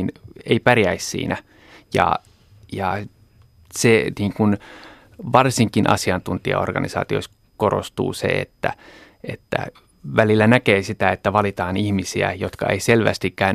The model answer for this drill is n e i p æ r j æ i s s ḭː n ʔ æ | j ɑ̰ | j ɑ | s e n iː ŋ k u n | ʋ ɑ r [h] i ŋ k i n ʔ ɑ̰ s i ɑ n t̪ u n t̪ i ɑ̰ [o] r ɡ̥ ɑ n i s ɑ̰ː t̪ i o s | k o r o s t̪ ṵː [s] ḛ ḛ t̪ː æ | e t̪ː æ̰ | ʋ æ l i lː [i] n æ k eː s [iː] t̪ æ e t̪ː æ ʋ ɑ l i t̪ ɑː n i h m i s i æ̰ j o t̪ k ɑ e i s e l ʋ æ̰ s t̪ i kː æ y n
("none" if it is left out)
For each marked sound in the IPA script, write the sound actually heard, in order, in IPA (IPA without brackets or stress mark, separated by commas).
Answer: s, o, s, æ, i